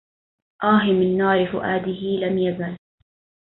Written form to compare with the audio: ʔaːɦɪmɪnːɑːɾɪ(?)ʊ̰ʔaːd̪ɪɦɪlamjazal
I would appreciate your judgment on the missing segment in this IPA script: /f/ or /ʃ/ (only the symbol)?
f